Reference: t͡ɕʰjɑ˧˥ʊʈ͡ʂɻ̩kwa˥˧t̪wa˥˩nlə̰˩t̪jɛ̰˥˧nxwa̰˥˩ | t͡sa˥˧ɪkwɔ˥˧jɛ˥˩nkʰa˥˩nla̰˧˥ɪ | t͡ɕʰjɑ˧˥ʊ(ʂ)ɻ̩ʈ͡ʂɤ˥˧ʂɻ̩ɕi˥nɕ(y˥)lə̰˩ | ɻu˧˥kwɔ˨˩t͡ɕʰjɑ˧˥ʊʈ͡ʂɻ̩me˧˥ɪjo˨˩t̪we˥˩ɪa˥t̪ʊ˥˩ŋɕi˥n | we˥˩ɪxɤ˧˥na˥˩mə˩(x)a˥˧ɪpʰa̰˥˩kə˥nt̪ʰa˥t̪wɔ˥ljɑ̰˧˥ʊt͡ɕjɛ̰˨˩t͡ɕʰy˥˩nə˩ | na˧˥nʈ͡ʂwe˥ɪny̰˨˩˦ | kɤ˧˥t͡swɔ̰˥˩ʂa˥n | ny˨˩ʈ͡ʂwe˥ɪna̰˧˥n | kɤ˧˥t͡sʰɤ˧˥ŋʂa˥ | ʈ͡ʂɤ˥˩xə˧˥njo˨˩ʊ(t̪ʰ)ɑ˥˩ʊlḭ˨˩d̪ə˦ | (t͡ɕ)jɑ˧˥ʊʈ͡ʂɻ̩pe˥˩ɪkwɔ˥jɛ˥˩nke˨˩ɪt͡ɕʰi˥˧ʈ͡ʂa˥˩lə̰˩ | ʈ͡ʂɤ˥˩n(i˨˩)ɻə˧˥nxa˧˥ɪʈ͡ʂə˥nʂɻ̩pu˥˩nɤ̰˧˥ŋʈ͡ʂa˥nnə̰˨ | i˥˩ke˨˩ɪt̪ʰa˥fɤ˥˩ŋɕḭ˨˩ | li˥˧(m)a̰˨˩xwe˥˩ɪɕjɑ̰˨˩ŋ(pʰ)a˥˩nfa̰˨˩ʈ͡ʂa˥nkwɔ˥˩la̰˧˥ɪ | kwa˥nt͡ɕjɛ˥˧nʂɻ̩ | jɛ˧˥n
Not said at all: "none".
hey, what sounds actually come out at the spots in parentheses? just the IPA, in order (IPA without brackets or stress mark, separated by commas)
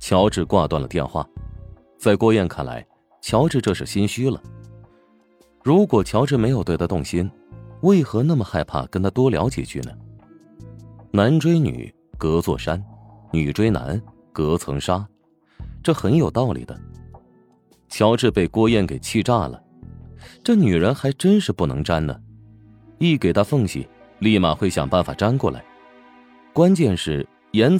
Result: ʈ͡ʂ, y˥, x, t̪, t͡ɕʰ, y˨˩, m, p